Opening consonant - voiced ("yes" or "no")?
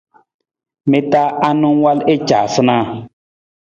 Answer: yes